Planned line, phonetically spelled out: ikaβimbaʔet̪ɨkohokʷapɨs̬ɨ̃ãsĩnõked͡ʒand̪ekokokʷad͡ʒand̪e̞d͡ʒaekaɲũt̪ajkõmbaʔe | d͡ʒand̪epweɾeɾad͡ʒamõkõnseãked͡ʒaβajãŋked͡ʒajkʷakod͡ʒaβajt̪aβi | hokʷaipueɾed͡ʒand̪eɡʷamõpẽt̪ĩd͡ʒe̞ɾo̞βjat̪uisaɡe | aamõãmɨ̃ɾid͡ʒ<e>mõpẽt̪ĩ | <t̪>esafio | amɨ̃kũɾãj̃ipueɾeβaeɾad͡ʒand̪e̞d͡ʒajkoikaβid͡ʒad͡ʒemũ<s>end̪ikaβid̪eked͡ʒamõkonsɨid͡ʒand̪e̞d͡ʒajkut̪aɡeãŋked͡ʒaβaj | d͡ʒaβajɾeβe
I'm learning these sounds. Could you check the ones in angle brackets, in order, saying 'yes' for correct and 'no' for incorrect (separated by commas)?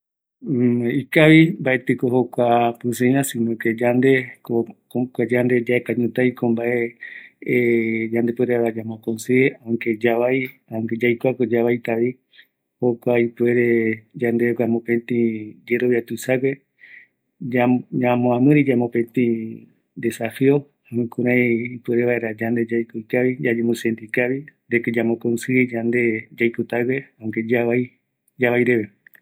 no, no, yes